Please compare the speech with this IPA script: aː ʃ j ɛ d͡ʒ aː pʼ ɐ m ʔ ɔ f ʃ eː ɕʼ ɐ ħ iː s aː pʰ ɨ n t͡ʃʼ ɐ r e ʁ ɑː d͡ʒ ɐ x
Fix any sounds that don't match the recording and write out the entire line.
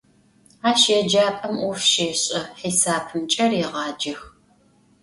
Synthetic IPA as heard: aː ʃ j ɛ d͡ʒ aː pʼ ɐ m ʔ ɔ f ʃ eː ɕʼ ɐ ħ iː s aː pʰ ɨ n t͡ʃʼ ɐ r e ʁ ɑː d͡ʒ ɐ x